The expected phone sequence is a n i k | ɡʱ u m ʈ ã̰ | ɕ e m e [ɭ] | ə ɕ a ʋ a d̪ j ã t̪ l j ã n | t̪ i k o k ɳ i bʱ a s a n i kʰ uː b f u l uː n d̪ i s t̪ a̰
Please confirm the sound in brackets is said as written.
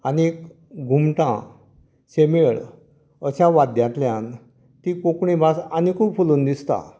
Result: yes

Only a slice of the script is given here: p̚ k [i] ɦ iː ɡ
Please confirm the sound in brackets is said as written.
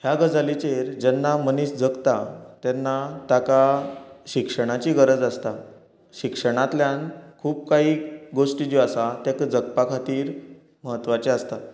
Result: no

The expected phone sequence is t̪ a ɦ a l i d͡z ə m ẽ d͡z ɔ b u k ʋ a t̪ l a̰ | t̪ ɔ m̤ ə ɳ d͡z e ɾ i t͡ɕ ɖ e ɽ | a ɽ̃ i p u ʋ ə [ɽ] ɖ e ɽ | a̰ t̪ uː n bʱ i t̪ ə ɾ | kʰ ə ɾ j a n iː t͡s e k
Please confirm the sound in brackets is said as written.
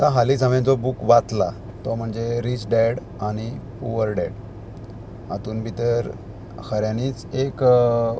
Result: no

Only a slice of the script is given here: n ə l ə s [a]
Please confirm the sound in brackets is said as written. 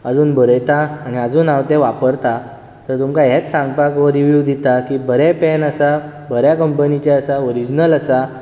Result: yes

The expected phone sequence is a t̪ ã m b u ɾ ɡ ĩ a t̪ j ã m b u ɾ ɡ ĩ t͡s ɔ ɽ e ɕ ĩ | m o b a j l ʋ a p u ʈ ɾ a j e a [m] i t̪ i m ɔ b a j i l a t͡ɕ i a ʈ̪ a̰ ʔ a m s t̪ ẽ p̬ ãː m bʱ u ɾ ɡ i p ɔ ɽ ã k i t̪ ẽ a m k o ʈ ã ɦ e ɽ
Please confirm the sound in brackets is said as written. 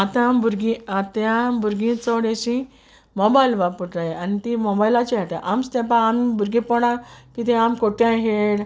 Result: no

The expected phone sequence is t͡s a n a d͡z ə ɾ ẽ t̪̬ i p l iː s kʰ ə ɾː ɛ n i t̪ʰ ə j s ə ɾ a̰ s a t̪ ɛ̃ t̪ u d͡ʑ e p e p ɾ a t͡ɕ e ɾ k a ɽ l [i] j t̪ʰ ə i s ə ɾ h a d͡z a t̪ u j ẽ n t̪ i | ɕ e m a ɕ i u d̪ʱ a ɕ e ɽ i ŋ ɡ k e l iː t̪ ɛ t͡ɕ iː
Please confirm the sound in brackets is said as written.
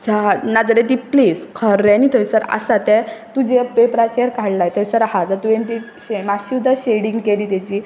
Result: no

